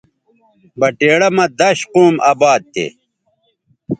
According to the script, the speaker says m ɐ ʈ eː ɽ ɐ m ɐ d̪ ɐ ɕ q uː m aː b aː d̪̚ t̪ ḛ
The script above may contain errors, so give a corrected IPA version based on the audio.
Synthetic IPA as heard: b ɐ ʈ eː ɽ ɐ m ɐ d̪ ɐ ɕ q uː m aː b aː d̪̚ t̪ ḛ